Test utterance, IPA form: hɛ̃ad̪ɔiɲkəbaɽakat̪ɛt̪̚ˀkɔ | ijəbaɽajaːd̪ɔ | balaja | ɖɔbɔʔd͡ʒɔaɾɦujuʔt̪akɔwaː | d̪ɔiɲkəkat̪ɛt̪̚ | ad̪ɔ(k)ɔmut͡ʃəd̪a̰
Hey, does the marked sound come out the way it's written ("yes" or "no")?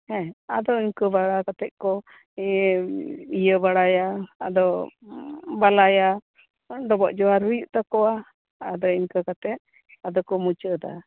yes